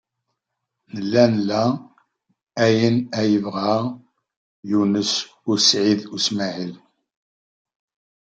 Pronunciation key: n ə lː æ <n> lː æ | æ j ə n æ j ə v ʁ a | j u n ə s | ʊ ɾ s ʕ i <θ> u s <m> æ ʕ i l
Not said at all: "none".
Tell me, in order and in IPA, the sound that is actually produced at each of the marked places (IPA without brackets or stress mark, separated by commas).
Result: n, ð, m